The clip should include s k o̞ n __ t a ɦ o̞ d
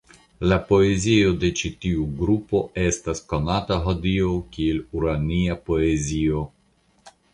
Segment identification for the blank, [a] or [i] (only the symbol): a